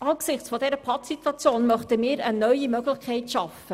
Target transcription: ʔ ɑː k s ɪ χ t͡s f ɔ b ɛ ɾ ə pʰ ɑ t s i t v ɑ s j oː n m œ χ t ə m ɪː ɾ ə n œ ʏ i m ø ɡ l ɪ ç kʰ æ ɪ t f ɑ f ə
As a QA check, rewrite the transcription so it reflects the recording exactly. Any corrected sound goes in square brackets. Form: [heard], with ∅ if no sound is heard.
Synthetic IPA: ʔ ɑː k s ɪ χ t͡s f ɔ [d] ɛ ɾ ə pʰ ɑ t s i t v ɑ [t͡s] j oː n m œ χ t ə m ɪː ɾ ə n œ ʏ i m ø ɡ l ɪ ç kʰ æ ɪ t [ʃ] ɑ f ə